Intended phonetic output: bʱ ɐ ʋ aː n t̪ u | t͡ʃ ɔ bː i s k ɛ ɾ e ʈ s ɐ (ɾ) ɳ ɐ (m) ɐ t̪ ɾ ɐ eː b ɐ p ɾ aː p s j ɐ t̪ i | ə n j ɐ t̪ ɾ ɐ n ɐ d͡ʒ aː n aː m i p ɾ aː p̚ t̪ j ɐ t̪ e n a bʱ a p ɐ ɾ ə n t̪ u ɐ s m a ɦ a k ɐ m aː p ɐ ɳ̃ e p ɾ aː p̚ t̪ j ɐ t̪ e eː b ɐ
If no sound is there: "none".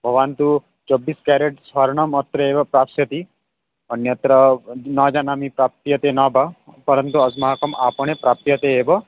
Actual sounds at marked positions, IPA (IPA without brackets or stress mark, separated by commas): ɾ, m